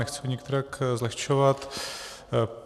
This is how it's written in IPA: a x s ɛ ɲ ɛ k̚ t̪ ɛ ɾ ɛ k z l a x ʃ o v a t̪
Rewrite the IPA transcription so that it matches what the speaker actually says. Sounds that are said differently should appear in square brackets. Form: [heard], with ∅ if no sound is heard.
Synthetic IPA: [ɛ] x [t͡s] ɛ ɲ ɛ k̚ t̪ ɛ ɾ [a] k z l [ɛ] x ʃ o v a t̪